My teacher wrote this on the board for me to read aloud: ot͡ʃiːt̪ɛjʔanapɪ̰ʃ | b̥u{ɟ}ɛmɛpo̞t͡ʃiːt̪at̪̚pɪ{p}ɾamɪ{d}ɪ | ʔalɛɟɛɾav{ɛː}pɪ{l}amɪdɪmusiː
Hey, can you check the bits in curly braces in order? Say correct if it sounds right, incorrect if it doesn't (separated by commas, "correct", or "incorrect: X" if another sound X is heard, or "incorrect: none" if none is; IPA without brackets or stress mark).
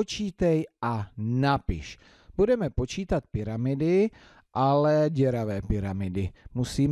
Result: incorrect: d, incorrect: none, correct, correct, incorrect: ɾ